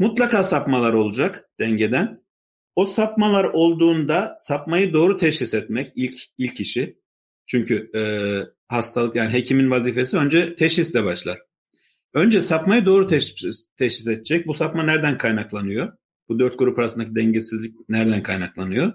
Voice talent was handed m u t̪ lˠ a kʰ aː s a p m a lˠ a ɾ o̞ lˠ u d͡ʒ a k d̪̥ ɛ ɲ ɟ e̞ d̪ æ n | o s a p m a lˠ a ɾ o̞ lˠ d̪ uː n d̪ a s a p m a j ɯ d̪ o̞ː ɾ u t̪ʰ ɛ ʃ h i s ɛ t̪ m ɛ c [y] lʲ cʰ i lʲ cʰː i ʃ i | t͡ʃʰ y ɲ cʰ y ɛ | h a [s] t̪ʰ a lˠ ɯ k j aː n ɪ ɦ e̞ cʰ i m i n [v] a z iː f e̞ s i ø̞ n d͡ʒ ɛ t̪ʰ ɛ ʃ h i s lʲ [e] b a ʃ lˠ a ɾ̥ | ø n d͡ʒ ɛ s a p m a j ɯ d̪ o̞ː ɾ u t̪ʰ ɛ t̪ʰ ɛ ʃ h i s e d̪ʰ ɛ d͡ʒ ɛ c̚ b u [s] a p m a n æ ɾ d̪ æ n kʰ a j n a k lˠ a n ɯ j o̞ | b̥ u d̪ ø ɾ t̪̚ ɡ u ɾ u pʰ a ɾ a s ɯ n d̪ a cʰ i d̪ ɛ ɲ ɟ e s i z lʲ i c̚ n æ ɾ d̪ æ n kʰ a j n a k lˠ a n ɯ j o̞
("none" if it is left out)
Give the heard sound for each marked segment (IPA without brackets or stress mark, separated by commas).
i, s, v, ɛ, s